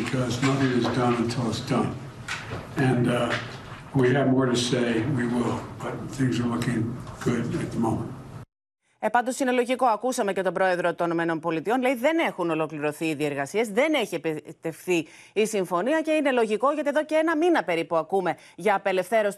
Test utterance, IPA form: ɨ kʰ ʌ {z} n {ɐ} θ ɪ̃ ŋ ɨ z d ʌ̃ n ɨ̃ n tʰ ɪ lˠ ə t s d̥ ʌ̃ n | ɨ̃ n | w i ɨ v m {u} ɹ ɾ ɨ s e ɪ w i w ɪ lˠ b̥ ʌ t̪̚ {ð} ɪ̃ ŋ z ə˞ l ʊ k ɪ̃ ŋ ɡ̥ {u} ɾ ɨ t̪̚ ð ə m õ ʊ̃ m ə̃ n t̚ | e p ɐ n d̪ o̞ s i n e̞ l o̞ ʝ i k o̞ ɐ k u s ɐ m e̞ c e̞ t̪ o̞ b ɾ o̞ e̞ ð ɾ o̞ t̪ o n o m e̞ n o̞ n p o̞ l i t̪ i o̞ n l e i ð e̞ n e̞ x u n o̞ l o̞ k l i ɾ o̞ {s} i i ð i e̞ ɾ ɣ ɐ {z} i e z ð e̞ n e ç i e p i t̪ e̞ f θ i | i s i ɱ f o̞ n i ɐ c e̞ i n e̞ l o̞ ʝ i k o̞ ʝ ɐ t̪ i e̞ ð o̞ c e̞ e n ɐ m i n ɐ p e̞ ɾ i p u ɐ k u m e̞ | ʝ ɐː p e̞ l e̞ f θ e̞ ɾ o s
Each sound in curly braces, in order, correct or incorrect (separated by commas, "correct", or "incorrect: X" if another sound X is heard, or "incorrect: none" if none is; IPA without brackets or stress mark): correct, incorrect: ʌ, incorrect: ɔ, incorrect: θ, incorrect: ʊ, incorrect: θ, incorrect: s